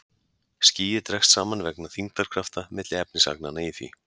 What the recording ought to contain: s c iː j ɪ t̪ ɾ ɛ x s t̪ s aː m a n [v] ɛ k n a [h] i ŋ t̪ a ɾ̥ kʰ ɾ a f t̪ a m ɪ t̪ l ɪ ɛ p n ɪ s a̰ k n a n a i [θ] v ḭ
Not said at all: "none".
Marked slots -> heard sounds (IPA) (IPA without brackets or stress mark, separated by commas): v, θ, θ